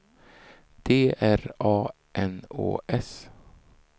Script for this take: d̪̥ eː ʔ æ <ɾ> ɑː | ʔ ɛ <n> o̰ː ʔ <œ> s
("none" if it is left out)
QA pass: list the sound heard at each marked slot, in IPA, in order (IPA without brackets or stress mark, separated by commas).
ɾ, n, ɛ